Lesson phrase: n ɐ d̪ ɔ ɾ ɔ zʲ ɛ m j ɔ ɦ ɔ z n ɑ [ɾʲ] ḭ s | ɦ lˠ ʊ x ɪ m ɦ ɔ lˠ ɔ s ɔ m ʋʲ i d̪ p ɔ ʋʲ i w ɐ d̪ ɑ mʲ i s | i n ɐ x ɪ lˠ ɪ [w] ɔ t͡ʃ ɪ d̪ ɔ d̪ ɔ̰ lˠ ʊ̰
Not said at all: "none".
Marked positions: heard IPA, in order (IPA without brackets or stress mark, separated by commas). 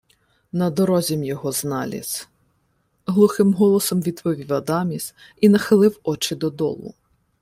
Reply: lʲ, w